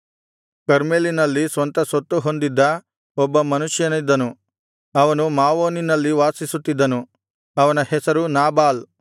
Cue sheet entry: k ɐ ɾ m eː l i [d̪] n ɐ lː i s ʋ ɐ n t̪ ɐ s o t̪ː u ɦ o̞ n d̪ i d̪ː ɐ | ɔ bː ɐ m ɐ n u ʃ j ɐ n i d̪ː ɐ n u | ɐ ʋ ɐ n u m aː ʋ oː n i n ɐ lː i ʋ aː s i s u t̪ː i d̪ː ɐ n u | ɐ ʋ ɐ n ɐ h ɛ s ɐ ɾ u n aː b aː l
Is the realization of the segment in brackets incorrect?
yes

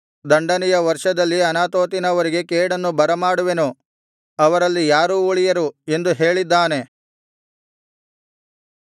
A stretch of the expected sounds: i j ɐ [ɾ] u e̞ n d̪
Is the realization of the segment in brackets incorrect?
no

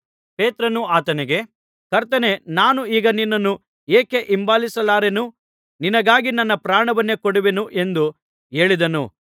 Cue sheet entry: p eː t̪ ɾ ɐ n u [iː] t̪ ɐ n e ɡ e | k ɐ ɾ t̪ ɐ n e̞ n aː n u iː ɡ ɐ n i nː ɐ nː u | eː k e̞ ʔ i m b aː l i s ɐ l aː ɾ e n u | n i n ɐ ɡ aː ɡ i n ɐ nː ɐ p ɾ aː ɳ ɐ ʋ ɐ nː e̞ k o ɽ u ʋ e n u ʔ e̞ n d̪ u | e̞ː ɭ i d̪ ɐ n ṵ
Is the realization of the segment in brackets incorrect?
yes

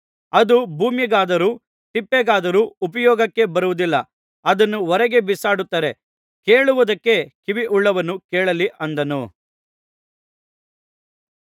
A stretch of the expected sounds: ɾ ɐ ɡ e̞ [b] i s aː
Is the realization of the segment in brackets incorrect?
no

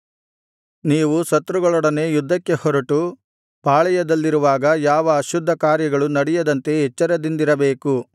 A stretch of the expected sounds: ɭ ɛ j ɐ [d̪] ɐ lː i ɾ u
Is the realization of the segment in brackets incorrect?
no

